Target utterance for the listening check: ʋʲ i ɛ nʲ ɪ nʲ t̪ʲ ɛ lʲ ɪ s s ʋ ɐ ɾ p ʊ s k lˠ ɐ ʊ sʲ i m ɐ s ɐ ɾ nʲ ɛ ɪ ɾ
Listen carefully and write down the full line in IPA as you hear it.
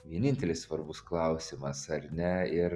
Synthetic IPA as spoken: ʋʲ i ɛ nʲ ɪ nʲ t̪ʲ ɛ lʲ ɪ s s ʋ ɐ ɾ b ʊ s k lˠ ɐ ʊ sʲ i m ɐ s ɐ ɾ nʲ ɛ ɪ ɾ